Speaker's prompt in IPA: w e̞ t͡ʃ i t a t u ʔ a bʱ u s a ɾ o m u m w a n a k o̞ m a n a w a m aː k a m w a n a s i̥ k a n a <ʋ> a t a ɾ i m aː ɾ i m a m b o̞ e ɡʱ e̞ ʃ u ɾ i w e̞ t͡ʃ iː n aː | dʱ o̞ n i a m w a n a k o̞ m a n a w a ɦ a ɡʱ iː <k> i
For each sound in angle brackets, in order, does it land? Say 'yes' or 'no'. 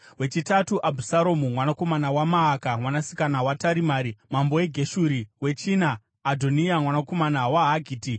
no, no

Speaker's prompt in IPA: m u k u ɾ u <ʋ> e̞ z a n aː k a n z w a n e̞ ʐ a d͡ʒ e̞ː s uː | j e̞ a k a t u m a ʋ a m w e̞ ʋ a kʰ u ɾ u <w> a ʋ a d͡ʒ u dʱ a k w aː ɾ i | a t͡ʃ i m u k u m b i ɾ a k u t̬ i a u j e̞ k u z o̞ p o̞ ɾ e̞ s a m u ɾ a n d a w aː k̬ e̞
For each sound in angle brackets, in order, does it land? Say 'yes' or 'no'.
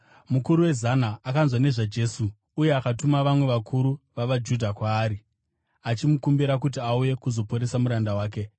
no, no

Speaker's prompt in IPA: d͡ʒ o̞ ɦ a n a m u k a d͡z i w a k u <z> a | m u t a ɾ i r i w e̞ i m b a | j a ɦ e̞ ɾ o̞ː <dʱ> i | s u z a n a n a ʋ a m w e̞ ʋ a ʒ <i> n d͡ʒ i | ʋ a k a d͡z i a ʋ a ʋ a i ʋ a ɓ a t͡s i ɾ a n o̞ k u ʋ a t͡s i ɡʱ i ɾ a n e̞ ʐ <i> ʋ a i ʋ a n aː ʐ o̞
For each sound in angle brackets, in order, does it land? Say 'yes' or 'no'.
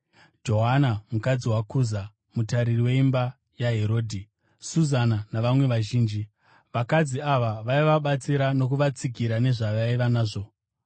yes, yes, no, no

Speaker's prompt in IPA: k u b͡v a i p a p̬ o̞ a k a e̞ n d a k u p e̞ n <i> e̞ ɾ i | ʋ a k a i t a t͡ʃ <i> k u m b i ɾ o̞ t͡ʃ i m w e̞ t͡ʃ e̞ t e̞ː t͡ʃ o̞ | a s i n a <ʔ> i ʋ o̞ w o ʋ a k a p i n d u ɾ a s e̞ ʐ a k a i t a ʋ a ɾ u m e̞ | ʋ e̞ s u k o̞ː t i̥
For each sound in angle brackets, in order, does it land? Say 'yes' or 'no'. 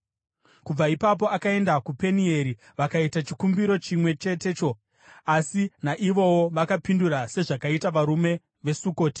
yes, yes, yes

